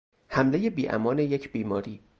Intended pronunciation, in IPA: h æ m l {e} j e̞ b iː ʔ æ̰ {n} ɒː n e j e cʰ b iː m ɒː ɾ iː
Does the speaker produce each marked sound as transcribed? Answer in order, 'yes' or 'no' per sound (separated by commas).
yes, no